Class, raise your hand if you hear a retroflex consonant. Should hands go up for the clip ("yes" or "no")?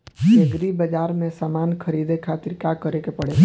yes